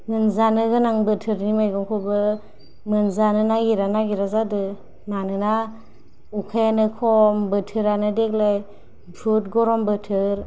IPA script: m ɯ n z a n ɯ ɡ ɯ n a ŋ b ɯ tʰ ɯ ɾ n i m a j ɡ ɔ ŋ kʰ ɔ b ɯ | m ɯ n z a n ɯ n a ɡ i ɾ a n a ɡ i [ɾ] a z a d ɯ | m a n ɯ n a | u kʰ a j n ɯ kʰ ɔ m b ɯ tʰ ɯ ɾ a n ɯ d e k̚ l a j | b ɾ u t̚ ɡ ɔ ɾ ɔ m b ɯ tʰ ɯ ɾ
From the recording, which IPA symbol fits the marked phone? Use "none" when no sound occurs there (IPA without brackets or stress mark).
ɾ